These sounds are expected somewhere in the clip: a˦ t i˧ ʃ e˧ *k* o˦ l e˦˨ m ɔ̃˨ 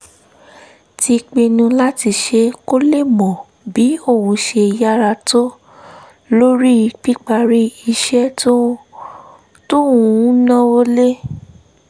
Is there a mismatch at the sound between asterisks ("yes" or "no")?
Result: no